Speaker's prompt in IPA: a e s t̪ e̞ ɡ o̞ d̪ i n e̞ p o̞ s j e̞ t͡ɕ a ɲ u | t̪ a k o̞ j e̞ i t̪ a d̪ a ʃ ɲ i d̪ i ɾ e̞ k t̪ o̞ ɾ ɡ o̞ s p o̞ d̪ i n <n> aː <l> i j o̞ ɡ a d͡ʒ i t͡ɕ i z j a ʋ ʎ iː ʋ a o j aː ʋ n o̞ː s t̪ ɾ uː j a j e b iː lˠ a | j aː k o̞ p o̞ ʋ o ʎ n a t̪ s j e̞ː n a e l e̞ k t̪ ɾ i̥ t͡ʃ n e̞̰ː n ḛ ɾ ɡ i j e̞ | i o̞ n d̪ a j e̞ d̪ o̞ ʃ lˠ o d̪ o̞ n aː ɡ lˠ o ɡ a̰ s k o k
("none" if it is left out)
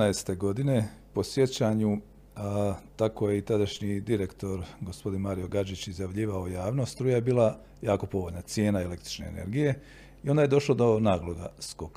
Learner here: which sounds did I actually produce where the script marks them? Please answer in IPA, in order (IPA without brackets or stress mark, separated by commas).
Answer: m, ɾ